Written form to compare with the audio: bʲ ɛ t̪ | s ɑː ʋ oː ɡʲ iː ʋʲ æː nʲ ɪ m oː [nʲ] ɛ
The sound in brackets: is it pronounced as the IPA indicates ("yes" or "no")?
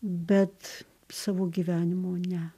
yes